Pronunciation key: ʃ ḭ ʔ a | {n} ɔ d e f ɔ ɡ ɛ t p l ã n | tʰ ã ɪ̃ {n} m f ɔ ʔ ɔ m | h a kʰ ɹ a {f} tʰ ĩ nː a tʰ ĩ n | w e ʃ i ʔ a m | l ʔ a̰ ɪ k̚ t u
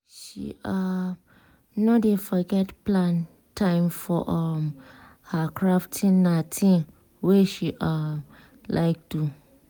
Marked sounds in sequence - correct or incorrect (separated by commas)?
correct, incorrect, correct